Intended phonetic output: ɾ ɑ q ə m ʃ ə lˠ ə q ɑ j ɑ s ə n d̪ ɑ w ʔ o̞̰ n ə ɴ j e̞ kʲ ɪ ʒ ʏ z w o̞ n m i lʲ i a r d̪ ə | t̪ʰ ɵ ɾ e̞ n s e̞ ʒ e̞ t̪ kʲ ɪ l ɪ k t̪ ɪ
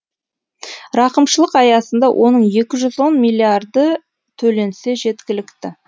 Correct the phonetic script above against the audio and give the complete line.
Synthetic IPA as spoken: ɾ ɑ q ə m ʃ ə lˠ ə q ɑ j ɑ s ə n d̪ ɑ w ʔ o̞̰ n ə ɴ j e̞ kʲ ɪ ʒ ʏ z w o̞ n m i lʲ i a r d̪ ə | t̪ʰ ɵ l e̞ n s e̞ ʒ e̞ t̪ kʲ ɪ l ɪ k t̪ ɪ